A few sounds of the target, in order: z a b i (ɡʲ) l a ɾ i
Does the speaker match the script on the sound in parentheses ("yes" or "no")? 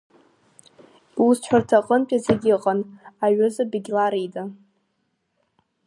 yes